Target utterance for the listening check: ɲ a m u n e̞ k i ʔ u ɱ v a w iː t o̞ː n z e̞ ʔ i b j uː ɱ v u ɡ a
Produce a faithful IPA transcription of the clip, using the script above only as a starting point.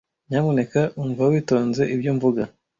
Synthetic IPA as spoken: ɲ a m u n e̞ k a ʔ u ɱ v a w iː t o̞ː n z e̞ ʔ i b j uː ɱ v u ɡ a